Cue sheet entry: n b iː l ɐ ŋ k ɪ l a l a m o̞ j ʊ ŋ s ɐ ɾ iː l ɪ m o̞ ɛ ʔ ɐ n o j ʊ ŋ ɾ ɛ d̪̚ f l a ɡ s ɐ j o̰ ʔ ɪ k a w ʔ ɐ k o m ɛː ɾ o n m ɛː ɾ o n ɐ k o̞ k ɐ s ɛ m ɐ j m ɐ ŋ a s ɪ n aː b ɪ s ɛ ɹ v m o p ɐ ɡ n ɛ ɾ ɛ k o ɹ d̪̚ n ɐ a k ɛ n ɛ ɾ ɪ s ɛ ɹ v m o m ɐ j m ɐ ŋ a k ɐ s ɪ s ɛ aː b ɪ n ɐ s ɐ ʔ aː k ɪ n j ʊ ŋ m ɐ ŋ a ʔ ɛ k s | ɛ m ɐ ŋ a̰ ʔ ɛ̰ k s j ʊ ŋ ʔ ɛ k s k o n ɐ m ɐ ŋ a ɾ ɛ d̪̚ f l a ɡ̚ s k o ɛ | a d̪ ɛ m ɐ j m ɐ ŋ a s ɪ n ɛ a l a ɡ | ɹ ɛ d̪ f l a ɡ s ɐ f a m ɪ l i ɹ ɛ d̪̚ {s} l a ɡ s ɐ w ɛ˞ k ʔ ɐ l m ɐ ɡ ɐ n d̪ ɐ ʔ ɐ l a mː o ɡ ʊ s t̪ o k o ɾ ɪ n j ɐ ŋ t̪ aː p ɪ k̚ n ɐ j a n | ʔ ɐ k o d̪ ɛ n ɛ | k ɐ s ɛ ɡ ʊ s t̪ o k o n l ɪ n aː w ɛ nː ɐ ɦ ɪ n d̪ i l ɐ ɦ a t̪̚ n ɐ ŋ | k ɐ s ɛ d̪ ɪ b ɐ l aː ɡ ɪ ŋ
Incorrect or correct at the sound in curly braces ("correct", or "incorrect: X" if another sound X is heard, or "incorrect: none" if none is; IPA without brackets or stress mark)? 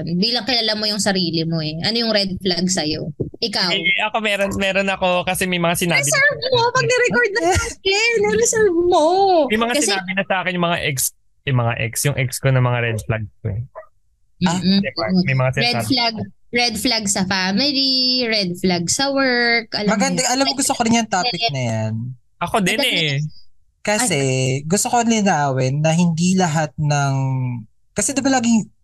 incorrect: f